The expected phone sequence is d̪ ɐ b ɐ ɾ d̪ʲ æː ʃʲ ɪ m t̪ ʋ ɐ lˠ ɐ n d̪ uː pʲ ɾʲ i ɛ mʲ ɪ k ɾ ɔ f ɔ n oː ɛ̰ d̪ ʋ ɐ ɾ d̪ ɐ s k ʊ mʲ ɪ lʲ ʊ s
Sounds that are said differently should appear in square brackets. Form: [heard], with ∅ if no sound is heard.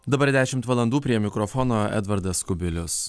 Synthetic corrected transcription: d̪ ɐ b ɐ ɾ d̪ʲ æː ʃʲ ɪ m t̪ ʋ ɐ lˠ ɐ n d̪ uː pʲ ɾʲ i ɛ mʲ ɪ k ɾ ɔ f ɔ n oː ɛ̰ d̪ ʋ ɐ ɾ d̪ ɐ s k ʊ [bʲ] ɪ lʲ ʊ s